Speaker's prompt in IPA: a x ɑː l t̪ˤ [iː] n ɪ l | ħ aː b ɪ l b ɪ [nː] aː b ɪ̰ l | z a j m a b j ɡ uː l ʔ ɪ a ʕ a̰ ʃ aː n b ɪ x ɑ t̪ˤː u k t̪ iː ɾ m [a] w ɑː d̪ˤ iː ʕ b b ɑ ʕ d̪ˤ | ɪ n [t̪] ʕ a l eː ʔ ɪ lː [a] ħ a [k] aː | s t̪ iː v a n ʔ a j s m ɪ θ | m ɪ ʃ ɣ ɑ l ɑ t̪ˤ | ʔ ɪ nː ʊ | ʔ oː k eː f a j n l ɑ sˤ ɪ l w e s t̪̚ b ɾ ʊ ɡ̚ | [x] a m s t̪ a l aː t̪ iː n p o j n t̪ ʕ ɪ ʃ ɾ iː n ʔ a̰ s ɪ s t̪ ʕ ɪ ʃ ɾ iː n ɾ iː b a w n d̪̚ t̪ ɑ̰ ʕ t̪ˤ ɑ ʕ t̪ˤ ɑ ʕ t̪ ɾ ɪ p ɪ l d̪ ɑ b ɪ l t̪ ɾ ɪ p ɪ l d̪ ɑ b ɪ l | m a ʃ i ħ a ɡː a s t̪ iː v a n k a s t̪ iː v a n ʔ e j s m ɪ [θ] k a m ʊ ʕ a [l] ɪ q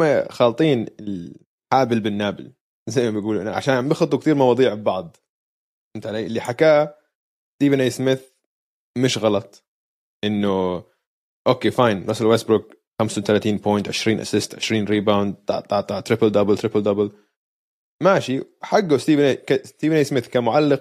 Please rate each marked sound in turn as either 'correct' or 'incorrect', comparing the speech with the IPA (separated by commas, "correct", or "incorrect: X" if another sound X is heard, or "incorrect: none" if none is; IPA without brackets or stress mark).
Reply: correct, correct, incorrect: ɑ, correct, incorrect: i, correct, correct, correct, incorrect: lː